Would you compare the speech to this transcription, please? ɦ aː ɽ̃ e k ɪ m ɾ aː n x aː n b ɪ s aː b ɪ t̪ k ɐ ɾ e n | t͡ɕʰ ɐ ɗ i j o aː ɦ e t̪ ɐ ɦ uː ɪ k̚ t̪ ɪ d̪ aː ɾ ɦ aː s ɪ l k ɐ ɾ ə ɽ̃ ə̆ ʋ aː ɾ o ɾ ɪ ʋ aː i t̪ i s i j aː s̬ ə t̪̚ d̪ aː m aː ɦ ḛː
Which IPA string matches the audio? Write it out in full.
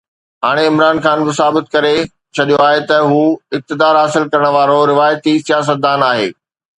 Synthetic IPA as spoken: ɦ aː ɽ̃ e ɪ m ɾ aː n x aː n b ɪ s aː b ɪ t̪ k ɐ ɾ e | t͡ɕʰ ɐ ɗ i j o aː ɦ e t̪ ɐ ɦ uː ɪ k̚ t̪ ɪ d̪ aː ɾ ɦ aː s ɪ l k ɐ ɾ ə ɽ̃ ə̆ ʋ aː ɾ o ɾ ɪ ʋ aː j t̪ i s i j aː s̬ ə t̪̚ d̪ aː n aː ɦ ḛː